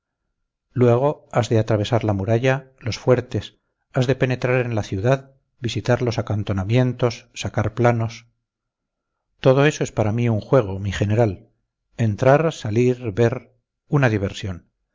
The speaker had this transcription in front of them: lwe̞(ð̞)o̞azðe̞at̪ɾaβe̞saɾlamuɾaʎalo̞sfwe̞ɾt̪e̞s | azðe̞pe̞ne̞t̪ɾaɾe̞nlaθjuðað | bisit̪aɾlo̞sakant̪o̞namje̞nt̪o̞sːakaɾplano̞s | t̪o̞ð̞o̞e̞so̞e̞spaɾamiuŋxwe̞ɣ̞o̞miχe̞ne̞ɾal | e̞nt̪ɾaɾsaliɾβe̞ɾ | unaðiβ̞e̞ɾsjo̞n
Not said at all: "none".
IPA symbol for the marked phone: ɣ̞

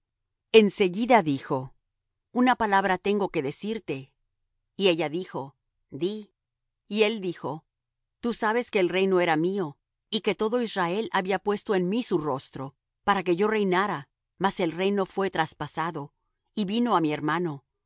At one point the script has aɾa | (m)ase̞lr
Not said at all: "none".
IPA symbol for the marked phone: m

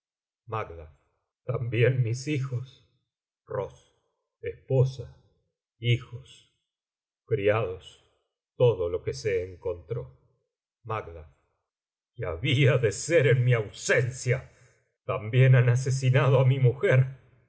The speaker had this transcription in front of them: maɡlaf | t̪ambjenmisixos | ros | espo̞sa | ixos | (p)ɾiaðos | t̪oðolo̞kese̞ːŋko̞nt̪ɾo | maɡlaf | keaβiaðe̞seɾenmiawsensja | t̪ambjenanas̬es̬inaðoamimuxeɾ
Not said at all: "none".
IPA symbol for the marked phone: k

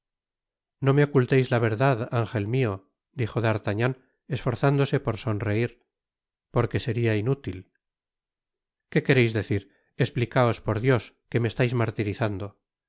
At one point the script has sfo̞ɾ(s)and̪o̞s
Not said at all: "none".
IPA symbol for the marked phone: θ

